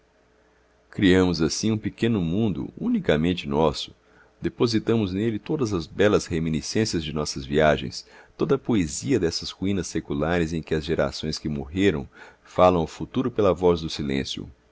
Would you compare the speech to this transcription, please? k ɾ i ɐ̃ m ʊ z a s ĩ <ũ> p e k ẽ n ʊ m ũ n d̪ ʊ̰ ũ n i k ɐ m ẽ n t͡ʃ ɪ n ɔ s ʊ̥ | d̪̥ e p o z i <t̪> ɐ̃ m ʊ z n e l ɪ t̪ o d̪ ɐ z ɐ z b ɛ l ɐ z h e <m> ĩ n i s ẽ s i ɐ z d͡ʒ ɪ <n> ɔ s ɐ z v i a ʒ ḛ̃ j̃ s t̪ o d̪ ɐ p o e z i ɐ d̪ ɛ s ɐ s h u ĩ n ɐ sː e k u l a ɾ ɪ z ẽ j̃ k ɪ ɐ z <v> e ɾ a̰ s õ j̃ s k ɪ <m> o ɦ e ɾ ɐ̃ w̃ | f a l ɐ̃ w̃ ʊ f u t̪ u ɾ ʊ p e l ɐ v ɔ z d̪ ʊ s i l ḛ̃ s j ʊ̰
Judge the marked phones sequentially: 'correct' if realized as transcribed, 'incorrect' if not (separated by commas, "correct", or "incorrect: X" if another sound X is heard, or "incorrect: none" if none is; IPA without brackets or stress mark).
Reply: correct, correct, correct, correct, incorrect: ʒ, correct